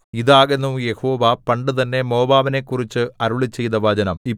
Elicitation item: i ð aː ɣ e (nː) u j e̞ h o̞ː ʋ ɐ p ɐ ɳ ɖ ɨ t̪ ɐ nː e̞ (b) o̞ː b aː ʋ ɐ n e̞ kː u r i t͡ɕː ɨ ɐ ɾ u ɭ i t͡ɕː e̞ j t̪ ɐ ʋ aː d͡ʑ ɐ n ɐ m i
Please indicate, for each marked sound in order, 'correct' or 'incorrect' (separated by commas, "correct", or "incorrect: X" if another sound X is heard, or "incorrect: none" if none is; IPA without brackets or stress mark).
correct, incorrect: m